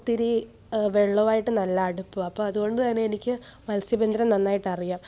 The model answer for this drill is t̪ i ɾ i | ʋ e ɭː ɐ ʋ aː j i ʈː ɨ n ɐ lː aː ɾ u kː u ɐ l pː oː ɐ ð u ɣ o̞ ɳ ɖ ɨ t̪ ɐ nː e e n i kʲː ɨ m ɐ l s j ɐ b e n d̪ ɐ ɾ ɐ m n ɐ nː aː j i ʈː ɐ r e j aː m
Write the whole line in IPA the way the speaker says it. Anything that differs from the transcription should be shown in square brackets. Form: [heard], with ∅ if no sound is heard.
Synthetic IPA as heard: t̪ i ɾ i | ʋ e ɭː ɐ ʋ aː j i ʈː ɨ n ɐ lː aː [ɽ] u [pː] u ɐ [∅] pː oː ɐ ð u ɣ o̞ ɳ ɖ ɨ t̪ ɐ nː e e n i kʲː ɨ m ɐ l s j ɐ b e n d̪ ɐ ɾ ɐ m n ɐ nː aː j i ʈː ɐ r [i] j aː m

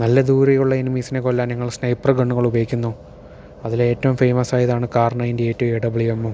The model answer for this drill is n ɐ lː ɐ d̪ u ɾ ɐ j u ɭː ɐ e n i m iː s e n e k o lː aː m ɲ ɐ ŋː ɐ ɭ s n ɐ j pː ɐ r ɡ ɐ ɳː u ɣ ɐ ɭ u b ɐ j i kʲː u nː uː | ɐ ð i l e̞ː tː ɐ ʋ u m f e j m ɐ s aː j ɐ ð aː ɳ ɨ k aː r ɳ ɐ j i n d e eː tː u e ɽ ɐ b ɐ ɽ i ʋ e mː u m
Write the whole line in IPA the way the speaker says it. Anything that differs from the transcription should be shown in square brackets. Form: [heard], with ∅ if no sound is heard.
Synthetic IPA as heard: n ɐ lː ɐ d̪ [uː] ɾ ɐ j u ɭː ɐ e n i m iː s [i] n e k o lː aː [n] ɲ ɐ ŋː ɐ ɭ s n ɐ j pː ɐ r ɡ ɐ ɳː u ɣ ɐ ɭ u b ɐ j i kʲː u nː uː | ɐ ð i l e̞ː tː ɐ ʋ u m f e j m ɐ s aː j ɐ ð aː ɳ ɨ k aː r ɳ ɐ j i n d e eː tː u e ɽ ɐ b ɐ [ɭ] i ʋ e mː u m

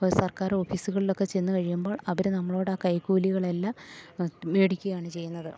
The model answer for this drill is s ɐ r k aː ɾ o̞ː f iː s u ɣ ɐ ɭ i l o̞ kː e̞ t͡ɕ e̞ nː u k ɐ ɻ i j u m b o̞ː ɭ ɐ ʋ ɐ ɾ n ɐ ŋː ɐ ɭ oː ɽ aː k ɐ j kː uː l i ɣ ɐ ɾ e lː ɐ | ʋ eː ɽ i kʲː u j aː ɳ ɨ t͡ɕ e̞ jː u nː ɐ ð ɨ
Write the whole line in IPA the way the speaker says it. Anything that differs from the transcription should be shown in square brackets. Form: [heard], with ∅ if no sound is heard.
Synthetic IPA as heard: s ɐ r k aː ɾ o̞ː f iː s u ɣ ɐ ɭ i l o̞ kː e̞ t͡ɕ e̞ nː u k ɐ ɻ i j u m b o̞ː ɭ ɐ ʋ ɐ ɾ n ɐ [mː] ɐ ɭ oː ɽ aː k ɐ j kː uː l i ɣ ɐ [ɭ] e lː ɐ | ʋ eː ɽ i kʲː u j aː ɳ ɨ t͡ɕ e̞ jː u nː ɐ ð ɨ

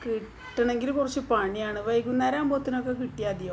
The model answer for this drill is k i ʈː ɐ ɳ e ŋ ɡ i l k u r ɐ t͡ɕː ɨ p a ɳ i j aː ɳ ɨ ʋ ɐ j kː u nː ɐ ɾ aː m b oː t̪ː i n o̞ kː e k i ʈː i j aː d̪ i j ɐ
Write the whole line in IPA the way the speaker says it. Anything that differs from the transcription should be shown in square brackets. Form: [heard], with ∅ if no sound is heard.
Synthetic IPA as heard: k i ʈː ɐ ɳ e ŋ ɡ i l k u r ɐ t͡ɕː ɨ p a ɳ i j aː ɳ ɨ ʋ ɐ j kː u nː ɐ ɾ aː m b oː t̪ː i n o̞ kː e k i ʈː i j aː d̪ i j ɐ

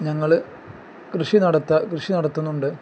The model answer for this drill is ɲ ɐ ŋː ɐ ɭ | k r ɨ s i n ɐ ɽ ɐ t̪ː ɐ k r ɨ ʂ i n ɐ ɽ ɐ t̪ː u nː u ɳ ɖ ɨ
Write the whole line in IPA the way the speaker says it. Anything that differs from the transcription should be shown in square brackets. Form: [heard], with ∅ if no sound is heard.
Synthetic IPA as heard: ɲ ɐ ŋː ɐ ɭ | k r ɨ [ʂ] i n ɐ ɽ ɐ t̪ː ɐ k r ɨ ʂ i n ɐ ɽ ɐ t̪ː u nː u ɳ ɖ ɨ

